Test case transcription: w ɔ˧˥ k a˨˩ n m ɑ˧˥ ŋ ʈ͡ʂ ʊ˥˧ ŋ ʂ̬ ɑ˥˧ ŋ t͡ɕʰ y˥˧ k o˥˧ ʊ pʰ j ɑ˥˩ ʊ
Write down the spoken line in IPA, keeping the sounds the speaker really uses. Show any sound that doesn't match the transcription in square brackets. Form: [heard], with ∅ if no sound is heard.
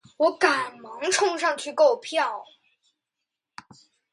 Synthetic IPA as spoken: w ɔ˧˥ k a˨˩ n m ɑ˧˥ ŋ [ʈ͡ʂʰ] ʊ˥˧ ŋ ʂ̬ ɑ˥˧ ŋ t͡ɕʰ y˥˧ k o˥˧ ʊ pʰ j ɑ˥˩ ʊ